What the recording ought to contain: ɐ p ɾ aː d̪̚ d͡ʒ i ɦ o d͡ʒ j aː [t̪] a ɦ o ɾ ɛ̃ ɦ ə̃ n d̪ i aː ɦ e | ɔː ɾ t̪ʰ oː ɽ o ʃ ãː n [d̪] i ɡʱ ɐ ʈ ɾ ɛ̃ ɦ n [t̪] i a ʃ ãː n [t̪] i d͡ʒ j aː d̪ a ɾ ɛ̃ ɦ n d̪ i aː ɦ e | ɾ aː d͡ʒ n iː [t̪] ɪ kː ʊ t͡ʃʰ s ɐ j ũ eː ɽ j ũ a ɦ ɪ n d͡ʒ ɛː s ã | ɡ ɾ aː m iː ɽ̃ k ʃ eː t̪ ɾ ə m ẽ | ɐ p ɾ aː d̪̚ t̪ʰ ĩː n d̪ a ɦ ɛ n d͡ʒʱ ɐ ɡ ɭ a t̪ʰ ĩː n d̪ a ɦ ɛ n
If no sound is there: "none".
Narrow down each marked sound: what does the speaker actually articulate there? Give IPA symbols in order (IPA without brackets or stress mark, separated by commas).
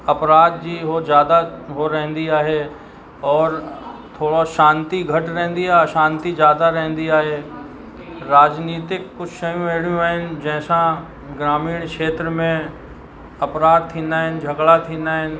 d̪, t̪, d̪, t̪, t̪